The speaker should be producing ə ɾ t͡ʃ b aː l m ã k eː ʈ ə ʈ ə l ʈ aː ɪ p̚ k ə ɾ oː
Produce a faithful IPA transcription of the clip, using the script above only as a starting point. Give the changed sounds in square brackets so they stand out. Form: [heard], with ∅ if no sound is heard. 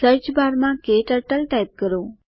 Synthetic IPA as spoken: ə ɾ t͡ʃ b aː [ɾ] m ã k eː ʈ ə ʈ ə l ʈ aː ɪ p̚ k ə ɾ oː